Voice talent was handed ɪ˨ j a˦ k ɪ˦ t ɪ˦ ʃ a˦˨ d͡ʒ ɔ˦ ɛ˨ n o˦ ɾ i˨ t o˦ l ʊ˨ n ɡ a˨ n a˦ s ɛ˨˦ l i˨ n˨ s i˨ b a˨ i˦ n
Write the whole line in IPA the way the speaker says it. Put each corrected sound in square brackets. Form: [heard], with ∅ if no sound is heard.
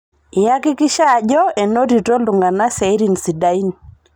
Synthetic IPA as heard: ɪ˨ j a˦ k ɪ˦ [k] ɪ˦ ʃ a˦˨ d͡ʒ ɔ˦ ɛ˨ n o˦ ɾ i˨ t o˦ l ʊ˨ [ŋ] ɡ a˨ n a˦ s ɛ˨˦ [ɾ] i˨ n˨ s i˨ [d] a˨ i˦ n